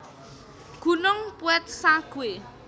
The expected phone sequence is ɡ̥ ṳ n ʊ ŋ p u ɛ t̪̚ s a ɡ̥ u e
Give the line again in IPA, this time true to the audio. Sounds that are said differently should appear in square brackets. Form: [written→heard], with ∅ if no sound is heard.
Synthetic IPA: ɡ̥ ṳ n ʊ ŋ p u ɛ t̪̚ s a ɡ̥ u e